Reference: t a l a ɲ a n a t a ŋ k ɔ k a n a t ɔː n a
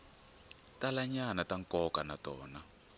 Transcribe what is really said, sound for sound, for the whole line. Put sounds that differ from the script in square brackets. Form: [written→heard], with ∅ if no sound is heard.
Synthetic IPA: t a l a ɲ a n a t a ŋ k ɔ k a n a t ɔː n a